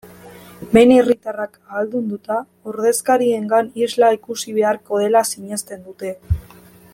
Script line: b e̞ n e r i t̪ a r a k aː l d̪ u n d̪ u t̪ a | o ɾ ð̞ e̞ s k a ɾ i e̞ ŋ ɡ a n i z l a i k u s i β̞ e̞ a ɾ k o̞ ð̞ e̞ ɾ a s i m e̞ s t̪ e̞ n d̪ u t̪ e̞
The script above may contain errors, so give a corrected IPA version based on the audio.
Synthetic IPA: b e̞ n e r i t̪ a r a k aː l d̪ u n d̪ u t̪ a | o ɾ ð̞ e̞ s k a ɾ i e̞ ŋ ɡ a n i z l a i k u s i β̞ e̞ a ɾ k o̞ ð̞ e̞ l a s i ɲ e̞ s t̪ e̞ n d̪ u t̪ e̞